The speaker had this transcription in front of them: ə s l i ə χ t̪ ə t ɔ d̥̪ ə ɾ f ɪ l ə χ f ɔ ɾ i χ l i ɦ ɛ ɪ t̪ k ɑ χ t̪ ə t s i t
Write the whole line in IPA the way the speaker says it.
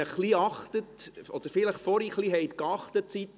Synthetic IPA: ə χ l i ɑ χ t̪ ə t ɔ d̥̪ ə ɾ f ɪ l ə χ f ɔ ɾ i χ l i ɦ ɛ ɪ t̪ k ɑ χ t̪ ə t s i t